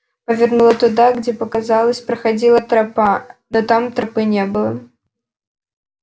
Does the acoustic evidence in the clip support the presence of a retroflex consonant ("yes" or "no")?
no